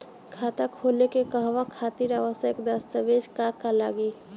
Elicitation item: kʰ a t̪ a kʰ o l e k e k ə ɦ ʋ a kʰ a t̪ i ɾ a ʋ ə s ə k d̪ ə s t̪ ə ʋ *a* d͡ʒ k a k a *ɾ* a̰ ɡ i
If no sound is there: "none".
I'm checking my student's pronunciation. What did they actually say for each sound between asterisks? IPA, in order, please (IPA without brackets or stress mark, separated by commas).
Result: e, l